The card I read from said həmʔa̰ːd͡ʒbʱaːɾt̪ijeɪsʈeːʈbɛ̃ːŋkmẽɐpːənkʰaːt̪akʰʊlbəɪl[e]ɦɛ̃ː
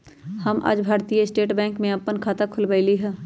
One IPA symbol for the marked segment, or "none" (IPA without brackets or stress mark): i